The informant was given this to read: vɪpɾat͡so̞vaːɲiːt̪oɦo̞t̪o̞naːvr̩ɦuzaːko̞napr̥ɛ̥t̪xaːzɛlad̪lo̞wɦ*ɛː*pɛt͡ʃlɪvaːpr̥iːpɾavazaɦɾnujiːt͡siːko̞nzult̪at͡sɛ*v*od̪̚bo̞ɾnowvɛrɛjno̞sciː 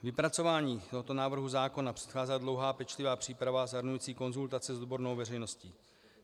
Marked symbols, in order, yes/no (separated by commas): no, no